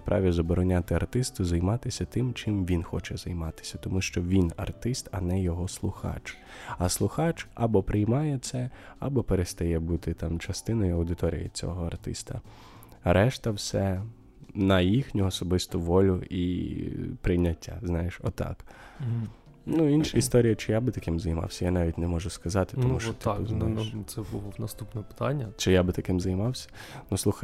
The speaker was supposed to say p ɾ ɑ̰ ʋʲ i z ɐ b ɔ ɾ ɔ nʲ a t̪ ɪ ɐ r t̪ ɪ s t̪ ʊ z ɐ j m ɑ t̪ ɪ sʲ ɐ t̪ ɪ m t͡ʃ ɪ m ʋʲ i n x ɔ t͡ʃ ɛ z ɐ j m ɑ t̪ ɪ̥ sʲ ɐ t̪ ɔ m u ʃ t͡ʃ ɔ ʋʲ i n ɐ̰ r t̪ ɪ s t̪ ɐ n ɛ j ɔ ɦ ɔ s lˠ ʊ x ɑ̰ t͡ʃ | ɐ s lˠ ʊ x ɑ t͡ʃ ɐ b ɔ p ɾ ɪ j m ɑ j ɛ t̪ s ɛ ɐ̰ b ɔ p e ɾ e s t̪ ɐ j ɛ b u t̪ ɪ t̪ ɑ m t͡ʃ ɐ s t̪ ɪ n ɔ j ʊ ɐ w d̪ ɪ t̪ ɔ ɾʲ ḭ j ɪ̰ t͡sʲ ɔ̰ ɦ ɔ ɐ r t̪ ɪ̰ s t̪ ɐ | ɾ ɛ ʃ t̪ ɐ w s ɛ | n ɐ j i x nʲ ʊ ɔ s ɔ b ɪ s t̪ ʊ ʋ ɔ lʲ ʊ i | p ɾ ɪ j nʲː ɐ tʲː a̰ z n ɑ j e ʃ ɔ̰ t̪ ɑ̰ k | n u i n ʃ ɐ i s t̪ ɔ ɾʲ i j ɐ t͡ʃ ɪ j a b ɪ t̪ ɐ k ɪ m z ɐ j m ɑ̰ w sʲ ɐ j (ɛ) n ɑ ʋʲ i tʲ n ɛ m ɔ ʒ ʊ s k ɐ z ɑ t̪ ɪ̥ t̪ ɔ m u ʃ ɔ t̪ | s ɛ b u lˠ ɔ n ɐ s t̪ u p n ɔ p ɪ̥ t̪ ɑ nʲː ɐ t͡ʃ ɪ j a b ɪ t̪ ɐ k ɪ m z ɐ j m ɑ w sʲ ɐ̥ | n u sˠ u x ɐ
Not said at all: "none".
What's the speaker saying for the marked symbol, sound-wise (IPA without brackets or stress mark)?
a